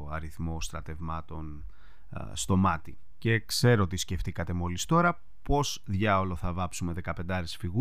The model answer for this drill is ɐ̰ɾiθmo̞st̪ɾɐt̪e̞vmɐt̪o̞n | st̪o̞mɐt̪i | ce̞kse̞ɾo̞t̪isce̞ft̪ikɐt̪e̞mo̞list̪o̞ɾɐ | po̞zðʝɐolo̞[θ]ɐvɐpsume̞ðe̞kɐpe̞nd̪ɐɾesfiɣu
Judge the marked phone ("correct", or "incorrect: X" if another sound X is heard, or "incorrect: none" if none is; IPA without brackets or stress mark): correct